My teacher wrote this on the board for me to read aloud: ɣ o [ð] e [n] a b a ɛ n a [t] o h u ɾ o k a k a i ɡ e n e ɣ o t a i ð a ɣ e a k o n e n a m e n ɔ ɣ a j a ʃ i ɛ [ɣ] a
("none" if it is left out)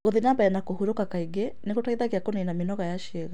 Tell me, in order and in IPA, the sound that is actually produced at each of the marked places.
ð, n, k, ɣ

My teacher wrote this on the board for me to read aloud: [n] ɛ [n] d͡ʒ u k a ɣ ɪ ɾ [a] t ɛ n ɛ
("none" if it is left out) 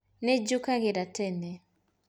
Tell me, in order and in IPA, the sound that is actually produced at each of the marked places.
n, none, a

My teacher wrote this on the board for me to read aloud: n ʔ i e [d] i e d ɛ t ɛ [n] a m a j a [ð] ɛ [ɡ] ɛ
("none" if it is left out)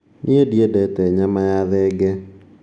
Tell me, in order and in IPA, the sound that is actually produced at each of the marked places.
d, ɲ, ð, ɡ

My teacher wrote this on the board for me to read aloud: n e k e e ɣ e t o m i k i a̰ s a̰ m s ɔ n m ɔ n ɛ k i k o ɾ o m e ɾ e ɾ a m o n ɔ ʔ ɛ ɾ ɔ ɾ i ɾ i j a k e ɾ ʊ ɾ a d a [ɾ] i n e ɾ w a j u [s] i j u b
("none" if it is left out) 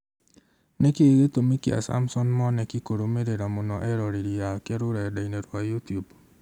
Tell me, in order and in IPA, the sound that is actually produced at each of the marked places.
none, t

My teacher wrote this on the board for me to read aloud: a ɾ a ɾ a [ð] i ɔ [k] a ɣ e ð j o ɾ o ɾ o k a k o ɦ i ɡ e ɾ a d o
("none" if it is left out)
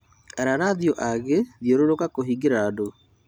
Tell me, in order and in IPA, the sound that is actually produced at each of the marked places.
ð, ʔ

